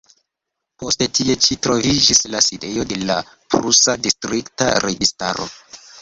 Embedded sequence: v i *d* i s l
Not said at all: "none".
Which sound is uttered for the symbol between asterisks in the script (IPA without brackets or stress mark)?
d͡ʒ